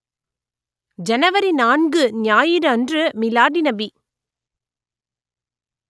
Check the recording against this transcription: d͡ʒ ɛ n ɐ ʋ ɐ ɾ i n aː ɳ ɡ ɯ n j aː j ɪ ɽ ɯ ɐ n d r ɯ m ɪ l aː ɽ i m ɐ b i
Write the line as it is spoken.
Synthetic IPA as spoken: d͡ʒ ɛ n ɐ ʋ ɐ ɾ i n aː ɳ ɡ ɯ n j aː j ɪ ɾ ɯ ɐ n d r ɯ m ɪ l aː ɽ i n ɐ b i